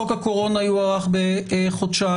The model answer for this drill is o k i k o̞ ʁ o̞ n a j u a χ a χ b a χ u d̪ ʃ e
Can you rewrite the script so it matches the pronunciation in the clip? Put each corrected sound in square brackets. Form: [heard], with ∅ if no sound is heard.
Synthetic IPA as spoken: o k [a] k o̞ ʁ o̞ n a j u a [ʁ] a χ b [e] χ [o] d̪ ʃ [a]